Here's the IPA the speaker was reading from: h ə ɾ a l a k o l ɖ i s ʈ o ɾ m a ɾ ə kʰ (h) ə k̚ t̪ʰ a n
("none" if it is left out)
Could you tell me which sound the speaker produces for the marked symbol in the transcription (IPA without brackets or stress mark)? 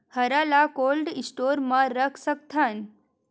s